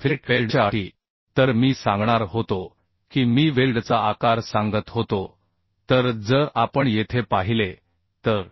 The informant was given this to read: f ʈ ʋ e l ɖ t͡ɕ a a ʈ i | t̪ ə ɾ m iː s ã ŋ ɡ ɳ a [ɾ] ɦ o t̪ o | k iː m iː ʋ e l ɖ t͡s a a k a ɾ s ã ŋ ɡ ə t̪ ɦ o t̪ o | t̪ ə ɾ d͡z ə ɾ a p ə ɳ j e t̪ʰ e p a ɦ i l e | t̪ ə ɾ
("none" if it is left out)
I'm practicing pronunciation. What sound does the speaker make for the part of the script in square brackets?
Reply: ɾ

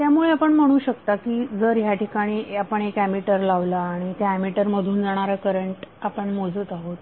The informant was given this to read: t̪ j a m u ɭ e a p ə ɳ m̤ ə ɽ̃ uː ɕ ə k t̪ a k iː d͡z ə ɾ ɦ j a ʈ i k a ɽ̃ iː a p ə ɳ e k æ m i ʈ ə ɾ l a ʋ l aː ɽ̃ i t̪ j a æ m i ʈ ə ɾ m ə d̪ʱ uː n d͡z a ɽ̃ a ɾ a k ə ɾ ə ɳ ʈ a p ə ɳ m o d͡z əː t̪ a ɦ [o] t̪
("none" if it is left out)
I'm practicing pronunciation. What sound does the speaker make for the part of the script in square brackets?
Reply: o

